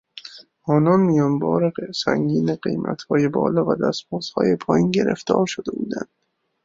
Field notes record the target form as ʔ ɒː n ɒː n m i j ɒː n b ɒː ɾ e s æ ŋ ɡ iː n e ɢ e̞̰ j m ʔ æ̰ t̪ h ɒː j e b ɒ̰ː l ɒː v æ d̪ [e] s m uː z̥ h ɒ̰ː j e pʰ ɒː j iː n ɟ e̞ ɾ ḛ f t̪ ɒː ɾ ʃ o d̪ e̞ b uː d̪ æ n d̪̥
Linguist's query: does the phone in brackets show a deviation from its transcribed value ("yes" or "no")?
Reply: yes